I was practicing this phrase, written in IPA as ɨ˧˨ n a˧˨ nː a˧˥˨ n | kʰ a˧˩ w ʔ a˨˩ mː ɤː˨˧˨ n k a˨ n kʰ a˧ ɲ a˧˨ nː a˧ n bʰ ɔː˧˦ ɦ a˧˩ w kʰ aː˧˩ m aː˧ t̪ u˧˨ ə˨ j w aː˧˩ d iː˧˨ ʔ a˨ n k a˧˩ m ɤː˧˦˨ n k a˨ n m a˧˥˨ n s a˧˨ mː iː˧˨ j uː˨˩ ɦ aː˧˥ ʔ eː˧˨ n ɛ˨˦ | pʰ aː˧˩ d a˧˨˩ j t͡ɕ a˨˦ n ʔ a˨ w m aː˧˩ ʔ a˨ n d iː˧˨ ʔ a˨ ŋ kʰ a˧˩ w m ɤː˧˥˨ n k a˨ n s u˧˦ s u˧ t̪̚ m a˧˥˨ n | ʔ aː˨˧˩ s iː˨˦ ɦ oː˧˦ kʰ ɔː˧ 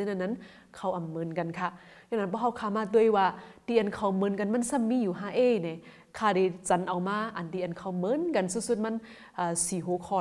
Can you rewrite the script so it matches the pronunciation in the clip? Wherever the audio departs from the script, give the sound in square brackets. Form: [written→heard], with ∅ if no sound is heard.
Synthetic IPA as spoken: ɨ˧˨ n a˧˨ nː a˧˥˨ n | kʰ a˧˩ w ʔ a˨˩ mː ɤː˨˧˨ n k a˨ n kʰ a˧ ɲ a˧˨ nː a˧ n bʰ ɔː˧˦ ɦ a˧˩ w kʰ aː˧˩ m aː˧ t̪ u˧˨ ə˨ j w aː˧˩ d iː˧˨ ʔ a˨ n [k→kʰ] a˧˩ m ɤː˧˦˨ n k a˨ n m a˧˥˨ n s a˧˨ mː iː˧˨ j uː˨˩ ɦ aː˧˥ ʔ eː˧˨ n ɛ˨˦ | [pʰ→kʰ] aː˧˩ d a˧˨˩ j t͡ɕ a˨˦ n ʔ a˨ w m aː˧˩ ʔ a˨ n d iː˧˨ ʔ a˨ [ŋ→n] kʰ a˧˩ w m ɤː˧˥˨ n k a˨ n s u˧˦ s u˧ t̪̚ m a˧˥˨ n | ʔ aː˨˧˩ s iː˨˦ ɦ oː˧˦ kʰ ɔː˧